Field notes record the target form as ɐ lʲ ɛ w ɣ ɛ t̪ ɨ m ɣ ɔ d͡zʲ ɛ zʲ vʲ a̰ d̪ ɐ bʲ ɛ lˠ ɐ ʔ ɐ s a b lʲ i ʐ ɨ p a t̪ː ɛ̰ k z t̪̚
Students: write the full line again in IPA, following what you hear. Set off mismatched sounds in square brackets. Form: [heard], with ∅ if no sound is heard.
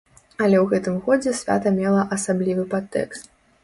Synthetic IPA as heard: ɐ lʲ ɛ w ɣ ɛ t̪ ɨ m ɣ ɔ d͡zʲ ɛ [sʲ] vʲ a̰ [t̪] ɐ [mʲ] ɛ lˠ ɐ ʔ ɐ s a b lʲ i [v] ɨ p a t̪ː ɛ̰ k [s] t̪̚